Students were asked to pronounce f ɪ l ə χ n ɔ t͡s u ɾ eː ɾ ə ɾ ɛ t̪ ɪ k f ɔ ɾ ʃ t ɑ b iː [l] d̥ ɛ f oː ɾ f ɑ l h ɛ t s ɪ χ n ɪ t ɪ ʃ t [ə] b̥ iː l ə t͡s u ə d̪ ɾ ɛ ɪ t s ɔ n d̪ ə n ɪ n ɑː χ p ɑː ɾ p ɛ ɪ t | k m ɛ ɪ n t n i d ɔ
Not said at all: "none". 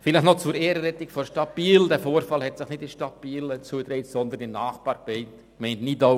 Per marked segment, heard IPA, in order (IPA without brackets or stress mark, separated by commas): l, ɑ